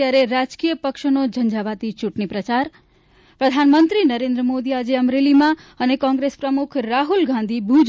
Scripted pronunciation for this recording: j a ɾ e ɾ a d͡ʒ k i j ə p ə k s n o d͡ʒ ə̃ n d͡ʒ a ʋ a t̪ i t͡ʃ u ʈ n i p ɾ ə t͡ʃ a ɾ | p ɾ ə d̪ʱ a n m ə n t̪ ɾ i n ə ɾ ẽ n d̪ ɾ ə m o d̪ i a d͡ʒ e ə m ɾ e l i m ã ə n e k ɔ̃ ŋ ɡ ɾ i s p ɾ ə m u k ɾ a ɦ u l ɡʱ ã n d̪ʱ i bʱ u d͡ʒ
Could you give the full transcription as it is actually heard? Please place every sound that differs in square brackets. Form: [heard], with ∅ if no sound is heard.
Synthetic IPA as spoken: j a ɾ e ɾ a d͡ʒ k i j ə p ə k [ʃ] n o d͡ʒ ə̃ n d͡ʒ a ʋ a t̪ i t͡ʃ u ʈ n i p ɾ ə t͡ʃ a ɾ | p ɾ ə d̪ʱ a n m ə n t̪ ɾ i n ə ɾ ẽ n d̪ ɾ ə m o d̪ i a d͡ʒ e ə m ɾ e l i m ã ə n e k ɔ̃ ŋ ɡ ɾ [e] s p ɾ ə m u [kʰ] ɾ a ɦ u l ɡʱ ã n d̪ʱ i bʱ u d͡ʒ